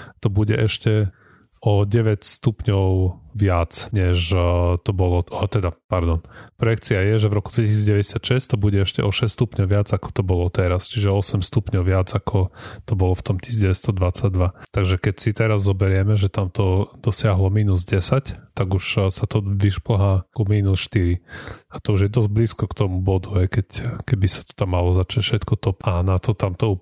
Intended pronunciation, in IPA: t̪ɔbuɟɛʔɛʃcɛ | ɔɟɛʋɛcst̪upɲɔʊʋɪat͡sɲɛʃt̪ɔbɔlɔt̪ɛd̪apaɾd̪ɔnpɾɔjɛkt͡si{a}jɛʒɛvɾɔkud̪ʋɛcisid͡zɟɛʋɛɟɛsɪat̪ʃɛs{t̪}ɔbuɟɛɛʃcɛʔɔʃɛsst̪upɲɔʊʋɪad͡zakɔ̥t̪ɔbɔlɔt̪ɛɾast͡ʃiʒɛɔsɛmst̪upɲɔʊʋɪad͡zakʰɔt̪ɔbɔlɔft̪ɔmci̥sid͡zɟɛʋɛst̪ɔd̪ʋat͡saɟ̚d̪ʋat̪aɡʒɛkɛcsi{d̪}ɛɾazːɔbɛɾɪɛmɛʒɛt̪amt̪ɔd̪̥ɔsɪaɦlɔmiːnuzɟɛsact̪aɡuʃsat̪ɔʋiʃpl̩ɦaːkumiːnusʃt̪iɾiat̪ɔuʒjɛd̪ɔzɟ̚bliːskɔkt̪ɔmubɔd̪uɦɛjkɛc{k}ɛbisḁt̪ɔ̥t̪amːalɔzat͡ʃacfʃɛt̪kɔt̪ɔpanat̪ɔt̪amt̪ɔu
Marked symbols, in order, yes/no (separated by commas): yes, yes, no, yes